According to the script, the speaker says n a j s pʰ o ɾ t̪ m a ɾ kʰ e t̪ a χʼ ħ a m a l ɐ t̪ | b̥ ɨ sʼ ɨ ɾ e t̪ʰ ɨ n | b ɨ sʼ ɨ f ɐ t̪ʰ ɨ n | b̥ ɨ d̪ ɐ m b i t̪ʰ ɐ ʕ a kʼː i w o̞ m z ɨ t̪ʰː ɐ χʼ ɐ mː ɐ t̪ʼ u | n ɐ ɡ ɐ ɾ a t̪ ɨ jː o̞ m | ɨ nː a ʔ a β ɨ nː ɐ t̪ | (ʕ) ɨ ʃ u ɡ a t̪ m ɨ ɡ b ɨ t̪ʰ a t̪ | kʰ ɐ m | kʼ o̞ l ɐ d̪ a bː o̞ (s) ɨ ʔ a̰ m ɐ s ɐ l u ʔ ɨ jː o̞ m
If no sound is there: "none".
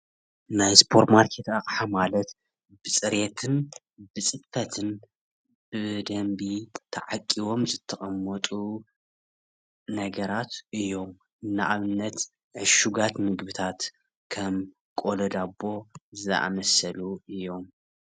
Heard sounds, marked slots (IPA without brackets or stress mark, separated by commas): ʕ, z